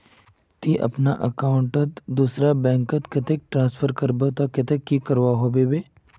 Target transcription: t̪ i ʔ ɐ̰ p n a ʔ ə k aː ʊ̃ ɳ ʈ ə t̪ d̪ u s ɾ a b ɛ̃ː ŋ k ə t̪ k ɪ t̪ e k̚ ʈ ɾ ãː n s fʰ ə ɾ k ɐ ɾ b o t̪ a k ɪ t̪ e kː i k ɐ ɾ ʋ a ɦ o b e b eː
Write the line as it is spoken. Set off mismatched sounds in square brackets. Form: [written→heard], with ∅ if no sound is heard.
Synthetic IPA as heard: t̪ i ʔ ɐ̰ p n a ʔ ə k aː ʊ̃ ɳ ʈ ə t̪ d̪ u s ɾ a b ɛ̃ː ŋ k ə t̪ k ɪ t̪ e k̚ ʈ ɾ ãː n s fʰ ə ɾ k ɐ ɾ b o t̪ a k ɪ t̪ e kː i k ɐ ɾ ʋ a ɦ o b e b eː